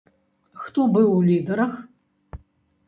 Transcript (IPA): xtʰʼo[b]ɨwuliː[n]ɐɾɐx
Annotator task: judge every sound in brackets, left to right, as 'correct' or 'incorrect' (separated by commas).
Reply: correct, incorrect